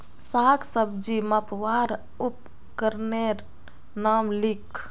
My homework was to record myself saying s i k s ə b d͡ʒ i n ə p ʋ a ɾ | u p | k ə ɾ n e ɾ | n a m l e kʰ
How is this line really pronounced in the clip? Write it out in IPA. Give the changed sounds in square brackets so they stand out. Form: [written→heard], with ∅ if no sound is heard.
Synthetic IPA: s [i→a] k s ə b d͡ʒ i [n→m] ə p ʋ a ɾ | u p | k ə ɾ n e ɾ | n a m l [e→i] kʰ